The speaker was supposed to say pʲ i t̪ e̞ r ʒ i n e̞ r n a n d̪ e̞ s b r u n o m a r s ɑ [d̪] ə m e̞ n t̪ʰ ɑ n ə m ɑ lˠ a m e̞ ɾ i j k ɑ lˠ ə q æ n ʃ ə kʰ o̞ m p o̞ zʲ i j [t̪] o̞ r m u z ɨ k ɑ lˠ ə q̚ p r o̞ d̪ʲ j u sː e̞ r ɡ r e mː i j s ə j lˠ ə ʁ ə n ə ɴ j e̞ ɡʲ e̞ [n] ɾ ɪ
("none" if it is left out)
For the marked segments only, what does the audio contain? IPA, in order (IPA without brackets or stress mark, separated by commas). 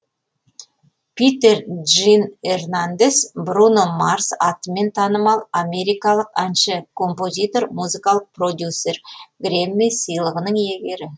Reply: t̪, t̪, none